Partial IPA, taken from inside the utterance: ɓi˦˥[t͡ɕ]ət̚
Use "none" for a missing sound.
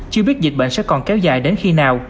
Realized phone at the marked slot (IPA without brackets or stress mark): none